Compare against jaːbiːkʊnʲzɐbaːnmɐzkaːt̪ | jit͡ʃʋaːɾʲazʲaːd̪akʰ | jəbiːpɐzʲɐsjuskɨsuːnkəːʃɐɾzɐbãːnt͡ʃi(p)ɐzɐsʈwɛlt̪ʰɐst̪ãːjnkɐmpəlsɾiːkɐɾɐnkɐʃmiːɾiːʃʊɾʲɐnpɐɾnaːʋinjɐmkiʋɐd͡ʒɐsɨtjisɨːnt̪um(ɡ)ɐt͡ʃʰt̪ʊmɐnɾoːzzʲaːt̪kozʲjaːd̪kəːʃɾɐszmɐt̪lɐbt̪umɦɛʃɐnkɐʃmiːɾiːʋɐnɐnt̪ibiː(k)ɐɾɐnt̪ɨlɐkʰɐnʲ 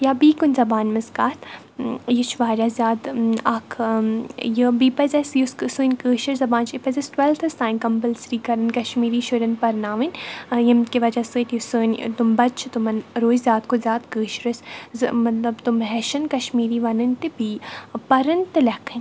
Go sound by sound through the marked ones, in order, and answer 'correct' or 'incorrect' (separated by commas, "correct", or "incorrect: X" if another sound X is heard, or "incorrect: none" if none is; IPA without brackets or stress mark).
correct, incorrect: b, incorrect: p